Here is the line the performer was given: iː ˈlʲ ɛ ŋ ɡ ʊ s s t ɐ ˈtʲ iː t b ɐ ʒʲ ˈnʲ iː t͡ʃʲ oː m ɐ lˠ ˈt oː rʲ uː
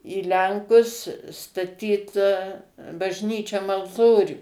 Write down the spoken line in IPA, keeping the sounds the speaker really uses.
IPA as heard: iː ˈlʲ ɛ ŋ k ʊ s s t ɐ ˈtʲ iː t b ɐ ʒʲ ˈnʲ iː t͡ʃʲ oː m ɐ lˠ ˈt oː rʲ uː